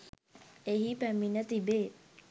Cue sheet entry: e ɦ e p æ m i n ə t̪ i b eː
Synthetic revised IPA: e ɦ i p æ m i n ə t̪ i b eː